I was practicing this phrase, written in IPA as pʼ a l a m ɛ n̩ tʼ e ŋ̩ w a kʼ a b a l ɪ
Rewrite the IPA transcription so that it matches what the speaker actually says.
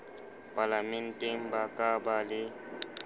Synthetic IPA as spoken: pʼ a l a m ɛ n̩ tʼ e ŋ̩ b a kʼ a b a l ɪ